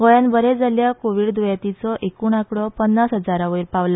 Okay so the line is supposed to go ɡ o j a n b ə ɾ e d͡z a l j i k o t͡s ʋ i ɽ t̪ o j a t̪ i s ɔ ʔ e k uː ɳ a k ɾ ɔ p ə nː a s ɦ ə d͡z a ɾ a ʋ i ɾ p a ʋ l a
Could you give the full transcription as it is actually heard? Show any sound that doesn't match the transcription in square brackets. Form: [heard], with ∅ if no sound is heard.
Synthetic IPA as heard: ɡ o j a n b ə ɾ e d͡z a l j [a] k o [∅] ʋ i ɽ [d̪] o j a t̪ i [t͡s] ɔ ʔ e k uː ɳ a k [ɽ] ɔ p ə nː a s ɦ ə d͡z a ɾ a ʋ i ɾ p a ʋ l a